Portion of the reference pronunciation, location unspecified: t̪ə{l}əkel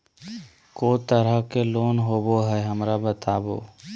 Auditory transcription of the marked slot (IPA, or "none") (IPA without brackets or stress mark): ɾ